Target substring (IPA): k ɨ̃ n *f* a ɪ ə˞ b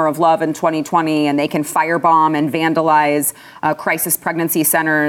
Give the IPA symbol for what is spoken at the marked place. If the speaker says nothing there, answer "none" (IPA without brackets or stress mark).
f